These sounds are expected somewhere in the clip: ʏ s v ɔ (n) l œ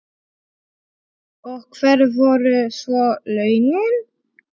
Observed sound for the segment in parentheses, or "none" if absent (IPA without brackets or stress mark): none